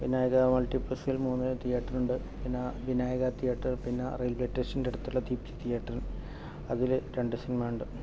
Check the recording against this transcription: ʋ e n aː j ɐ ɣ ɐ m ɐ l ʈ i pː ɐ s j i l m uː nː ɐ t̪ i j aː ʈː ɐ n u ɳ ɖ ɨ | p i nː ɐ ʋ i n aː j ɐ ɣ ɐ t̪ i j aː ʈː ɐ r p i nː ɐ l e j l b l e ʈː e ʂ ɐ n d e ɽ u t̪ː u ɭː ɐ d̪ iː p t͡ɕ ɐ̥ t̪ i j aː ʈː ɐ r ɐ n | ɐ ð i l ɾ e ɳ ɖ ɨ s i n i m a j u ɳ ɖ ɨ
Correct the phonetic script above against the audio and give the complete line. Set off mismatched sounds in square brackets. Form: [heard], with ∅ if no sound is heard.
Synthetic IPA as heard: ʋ [i] n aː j ɐ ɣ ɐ m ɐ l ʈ i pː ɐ s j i l m uː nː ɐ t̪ i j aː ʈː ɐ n u ɳ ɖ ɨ | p i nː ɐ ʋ i n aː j ɐ ɣ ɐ t̪ i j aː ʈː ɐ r p i nː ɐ [r] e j l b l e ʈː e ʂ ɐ n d e ɽ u t̪ː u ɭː ɐ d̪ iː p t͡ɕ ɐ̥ t̪ i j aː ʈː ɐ r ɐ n | ɐ ð i l ɾ e ɳ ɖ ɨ s i n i m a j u ɳ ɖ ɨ

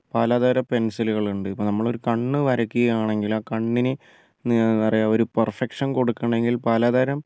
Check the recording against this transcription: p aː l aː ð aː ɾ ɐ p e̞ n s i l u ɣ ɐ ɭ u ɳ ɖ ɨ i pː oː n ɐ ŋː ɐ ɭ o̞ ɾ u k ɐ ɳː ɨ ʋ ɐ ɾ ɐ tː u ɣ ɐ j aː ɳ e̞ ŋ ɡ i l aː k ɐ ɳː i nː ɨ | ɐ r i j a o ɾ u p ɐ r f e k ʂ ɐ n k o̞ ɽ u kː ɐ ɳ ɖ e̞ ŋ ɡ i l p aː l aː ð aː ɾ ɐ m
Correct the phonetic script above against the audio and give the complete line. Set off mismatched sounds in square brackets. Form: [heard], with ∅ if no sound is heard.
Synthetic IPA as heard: p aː l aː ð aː ɾ ɐ p e̞ n s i l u ɣ ɐ ɭ u ɳ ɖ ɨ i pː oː n ɐ [mː] ɐ ɭ o̞ ɾ u k ɐ ɳː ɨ ʋ ɐ ɾ ɐ [kː] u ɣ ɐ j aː ɳ e̞ ŋ ɡ i l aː k ɐ ɳː i [n] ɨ | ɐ r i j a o ɾ u p ɐ r f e k ʂ ɐ n k o̞ ɽ u kː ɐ ɳ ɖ e̞ ŋ ɡ i l p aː l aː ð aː ɾ ɐ m

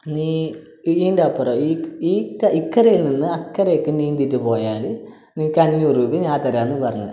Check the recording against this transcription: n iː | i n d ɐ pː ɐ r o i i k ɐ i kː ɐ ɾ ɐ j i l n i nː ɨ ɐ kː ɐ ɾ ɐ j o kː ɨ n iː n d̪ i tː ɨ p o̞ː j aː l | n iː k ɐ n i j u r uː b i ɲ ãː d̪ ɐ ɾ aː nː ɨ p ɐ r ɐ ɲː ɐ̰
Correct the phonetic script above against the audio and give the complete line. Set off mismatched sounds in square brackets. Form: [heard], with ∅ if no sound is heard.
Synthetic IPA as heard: n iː | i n d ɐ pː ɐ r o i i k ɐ i kː ɐ ɾ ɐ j i l n i nː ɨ ɐ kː ɐ ɾ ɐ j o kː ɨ n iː n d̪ i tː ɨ p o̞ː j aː l | n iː k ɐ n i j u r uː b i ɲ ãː [t̪] ɐ ɾ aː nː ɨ p ɐ r ɐ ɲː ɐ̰

